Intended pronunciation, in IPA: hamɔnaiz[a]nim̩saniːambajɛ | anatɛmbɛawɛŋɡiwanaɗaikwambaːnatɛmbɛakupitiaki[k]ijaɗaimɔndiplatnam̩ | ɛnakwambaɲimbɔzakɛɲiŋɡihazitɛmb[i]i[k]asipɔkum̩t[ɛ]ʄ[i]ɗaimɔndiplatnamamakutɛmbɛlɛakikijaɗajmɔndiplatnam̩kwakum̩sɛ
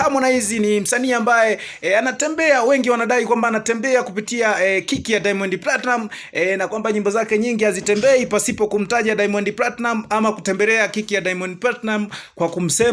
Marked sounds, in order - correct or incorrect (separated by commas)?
incorrect, correct, incorrect, incorrect, incorrect, incorrect